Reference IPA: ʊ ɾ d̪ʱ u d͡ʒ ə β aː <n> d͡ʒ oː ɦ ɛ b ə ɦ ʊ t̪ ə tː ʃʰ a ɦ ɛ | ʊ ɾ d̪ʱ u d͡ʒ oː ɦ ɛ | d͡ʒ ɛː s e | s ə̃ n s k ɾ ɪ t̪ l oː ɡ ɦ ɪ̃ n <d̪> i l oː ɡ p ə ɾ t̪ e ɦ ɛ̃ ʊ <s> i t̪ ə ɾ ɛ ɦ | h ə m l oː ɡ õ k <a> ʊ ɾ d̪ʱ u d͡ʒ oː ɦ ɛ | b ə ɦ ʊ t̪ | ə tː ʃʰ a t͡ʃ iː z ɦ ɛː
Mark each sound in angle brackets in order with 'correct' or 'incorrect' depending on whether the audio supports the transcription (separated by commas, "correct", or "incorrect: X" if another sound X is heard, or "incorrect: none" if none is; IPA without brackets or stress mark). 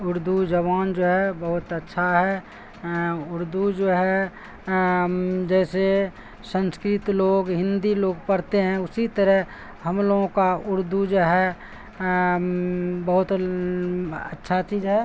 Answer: correct, correct, correct, correct